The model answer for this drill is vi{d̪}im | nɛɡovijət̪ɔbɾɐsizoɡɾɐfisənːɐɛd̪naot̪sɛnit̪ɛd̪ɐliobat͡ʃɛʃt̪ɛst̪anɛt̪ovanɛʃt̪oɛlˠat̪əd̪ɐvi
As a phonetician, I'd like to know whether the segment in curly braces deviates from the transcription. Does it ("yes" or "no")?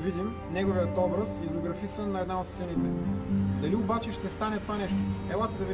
no